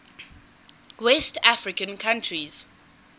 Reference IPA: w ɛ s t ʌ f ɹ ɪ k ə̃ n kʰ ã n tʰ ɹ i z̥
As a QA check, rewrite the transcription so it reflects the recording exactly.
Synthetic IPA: w ɛ s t a f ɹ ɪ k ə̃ n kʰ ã n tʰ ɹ i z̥